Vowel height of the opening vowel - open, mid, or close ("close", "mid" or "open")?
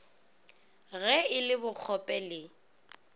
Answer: mid